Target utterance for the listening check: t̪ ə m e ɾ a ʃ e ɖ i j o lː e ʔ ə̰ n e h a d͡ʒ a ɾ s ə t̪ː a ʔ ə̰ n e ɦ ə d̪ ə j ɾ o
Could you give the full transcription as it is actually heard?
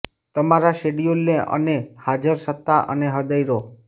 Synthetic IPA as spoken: t̪ ə m a ɾ a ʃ e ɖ i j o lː e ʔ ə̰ n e h a d͡ʒ ə ɾ s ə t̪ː a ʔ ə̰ n e ɦ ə d̪ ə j ɾ o